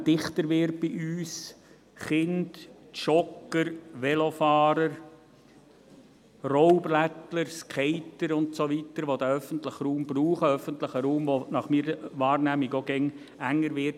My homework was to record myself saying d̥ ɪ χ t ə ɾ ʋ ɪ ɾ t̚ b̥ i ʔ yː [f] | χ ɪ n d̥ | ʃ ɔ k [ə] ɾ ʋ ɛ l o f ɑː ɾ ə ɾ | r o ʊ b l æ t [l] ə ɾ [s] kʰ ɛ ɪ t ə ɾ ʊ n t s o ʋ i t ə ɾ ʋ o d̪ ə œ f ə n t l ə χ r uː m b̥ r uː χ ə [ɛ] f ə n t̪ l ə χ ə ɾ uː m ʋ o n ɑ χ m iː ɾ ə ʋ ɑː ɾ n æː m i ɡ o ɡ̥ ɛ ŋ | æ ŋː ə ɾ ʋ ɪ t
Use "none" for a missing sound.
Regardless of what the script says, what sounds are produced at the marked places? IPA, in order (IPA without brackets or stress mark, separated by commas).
s, ə, l, s, œ